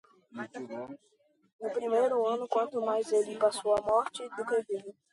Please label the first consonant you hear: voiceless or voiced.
voiced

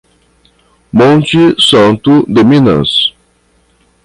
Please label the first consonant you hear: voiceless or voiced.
voiced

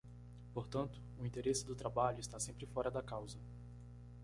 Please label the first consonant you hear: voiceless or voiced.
voiceless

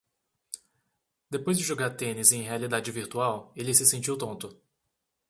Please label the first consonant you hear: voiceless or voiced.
voiced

